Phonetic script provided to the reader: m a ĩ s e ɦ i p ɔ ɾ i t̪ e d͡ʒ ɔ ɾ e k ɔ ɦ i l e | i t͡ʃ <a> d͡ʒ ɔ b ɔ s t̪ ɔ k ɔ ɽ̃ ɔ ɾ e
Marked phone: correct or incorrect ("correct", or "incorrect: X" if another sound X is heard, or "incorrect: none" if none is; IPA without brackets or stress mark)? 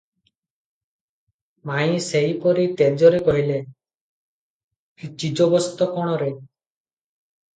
incorrect: i